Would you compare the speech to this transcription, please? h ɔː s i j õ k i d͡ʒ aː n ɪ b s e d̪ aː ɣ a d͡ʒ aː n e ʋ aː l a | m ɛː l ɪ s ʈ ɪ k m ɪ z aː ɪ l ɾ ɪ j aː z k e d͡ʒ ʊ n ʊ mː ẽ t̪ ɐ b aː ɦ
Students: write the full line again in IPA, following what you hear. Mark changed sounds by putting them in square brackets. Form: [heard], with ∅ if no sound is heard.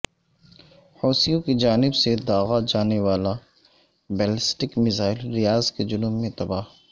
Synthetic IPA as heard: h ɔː s i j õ k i d͡ʒ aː n ɪ b s e d̪ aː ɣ a d͡ʒ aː n e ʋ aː l a | [b] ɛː l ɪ s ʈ ɪ k m ɪ z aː ɪ l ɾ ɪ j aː z k e d͡ʒ ʊ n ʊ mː ẽ t̪ ɐ b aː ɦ